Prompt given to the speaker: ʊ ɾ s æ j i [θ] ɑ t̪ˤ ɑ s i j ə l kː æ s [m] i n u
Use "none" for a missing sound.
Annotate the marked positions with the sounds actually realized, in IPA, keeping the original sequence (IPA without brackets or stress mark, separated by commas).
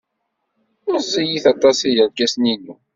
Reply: θ, n